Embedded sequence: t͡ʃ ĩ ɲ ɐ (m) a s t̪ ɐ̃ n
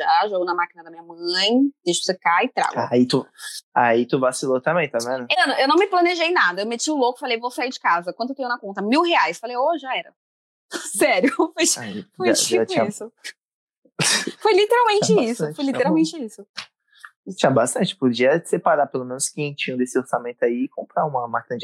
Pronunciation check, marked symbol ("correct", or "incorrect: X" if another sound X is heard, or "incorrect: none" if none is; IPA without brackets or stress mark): incorrect: b